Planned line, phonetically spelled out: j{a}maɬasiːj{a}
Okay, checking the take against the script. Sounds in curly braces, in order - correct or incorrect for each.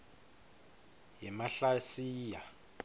incorrect, correct

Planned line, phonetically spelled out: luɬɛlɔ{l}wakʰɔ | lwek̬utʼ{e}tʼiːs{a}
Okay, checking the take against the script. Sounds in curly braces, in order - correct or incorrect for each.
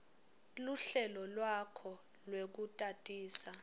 correct, incorrect, correct

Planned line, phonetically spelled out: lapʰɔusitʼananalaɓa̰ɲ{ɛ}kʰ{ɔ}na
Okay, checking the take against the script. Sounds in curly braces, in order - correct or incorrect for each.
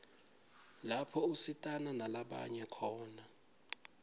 correct, incorrect

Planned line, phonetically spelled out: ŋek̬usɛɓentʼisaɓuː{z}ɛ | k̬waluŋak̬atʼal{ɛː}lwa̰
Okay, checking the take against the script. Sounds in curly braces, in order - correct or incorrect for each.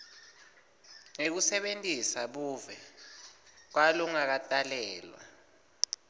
incorrect, correct

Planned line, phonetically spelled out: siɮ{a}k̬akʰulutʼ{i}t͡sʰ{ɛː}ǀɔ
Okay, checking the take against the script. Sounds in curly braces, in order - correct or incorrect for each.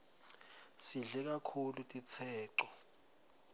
incorrect, correct, correct

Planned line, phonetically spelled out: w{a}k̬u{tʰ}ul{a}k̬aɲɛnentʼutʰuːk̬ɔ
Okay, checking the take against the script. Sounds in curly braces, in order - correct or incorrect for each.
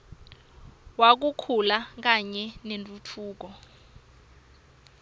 correct, incorrect, correct

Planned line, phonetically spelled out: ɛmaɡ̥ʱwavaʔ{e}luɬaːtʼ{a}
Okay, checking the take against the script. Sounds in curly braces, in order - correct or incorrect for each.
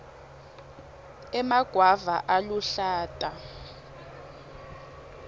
incorrect, correct

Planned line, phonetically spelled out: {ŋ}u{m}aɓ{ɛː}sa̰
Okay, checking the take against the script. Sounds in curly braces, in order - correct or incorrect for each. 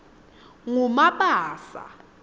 correct, correct, incorrect

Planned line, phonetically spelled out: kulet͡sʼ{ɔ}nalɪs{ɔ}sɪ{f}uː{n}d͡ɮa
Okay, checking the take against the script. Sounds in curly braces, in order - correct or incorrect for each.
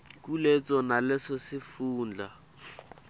correct, correct, correct, correct

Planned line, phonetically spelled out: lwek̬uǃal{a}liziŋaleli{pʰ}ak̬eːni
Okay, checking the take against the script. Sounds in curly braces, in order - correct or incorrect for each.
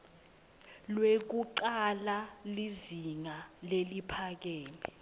correct, correct

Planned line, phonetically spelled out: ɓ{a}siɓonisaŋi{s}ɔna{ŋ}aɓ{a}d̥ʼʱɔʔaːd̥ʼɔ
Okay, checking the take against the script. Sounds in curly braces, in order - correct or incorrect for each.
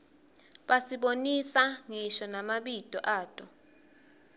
correct, incorrect, incorrect, incorrect

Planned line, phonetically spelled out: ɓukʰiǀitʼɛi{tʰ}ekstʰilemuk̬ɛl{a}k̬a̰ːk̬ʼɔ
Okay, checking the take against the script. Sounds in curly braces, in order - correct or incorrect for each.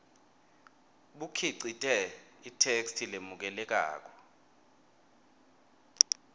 correct, incorrect

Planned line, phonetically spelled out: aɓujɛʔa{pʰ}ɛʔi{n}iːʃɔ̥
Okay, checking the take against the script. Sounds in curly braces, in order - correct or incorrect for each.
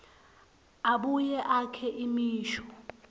incorrect, incorrect

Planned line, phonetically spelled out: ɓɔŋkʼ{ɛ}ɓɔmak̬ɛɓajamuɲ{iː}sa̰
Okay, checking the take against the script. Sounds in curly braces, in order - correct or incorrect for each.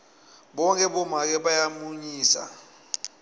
correct, correct

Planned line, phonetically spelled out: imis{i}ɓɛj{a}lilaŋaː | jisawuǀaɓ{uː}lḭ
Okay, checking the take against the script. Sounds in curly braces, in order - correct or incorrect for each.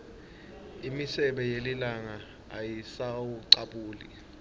incorrect, incorrect, correct

